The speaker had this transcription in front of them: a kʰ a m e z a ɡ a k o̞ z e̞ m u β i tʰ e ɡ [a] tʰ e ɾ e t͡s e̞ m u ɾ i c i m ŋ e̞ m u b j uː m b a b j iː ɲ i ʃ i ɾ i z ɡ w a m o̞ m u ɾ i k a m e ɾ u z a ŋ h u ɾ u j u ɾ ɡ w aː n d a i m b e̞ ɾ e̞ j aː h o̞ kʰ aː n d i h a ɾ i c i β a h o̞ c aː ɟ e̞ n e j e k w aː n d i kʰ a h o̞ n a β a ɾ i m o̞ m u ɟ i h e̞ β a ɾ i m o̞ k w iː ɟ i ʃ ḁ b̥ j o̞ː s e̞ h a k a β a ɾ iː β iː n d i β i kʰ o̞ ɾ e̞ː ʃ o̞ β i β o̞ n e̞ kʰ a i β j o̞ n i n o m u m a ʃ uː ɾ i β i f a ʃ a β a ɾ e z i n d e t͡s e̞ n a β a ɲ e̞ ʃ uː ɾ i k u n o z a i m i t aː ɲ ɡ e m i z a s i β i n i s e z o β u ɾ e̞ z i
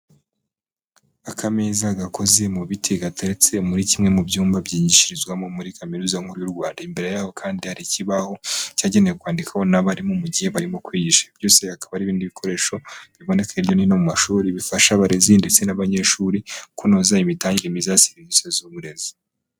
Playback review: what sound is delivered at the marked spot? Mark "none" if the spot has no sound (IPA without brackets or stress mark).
a